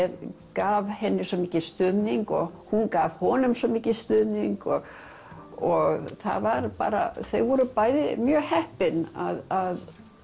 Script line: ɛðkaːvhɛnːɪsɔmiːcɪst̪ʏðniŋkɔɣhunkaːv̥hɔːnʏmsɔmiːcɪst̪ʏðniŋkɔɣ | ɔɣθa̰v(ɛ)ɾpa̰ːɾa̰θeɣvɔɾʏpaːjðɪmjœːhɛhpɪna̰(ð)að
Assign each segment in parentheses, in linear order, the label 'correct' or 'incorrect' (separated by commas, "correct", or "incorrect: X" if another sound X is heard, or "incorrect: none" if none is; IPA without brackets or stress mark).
incorrect: a, correct